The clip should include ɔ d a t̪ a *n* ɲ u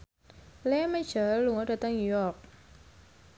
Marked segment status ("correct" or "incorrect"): incorrect